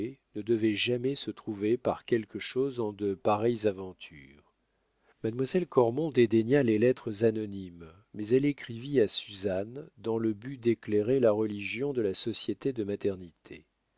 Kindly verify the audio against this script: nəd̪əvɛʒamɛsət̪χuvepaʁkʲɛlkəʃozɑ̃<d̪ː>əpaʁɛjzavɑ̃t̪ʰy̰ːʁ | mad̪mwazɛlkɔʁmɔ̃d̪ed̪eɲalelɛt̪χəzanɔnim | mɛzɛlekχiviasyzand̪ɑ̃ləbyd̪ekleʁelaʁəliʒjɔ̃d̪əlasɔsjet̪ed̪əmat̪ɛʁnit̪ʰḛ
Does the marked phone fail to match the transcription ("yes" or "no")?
yes